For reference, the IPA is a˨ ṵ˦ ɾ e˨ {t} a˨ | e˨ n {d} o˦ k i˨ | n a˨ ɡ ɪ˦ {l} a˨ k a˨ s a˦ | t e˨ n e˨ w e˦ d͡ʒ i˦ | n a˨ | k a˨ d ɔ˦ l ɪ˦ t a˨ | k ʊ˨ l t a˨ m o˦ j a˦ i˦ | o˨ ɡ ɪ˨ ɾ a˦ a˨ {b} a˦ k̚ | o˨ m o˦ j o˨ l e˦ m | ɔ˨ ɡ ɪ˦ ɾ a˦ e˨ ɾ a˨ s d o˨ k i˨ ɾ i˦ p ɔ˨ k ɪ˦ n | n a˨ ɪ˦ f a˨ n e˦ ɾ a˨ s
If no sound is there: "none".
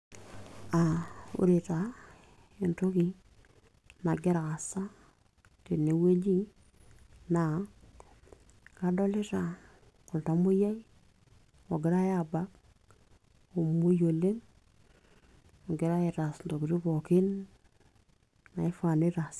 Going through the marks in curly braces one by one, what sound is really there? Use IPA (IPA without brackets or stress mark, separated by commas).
t, t, ɾ, b